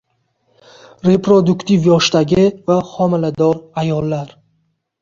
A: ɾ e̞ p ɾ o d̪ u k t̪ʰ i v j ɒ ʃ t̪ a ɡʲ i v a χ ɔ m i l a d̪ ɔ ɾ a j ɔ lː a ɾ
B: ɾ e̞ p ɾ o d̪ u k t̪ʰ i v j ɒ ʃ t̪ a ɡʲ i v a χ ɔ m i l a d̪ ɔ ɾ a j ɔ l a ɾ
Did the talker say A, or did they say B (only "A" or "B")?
A